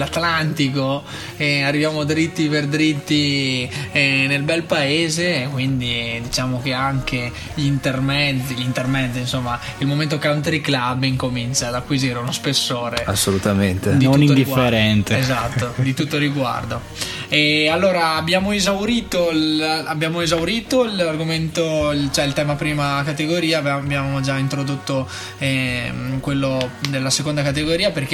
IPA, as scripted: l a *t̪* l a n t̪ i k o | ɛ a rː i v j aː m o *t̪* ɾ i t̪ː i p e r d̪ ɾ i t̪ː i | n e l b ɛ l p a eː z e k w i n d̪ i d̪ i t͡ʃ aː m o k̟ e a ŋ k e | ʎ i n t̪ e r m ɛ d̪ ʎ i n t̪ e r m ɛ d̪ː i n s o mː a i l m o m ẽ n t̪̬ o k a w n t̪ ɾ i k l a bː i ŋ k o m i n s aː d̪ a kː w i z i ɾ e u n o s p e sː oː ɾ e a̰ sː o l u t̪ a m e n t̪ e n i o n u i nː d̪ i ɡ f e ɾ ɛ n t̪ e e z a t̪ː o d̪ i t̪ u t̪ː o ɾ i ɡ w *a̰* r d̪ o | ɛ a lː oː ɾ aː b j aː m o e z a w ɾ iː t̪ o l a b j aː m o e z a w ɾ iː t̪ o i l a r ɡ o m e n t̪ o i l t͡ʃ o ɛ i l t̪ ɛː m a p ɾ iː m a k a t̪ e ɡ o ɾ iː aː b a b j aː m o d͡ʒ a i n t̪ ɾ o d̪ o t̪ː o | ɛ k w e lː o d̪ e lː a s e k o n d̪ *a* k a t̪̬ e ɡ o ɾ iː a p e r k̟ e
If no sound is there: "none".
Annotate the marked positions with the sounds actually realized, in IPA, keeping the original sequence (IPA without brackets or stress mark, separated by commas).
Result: t̪, d̪, a̰, a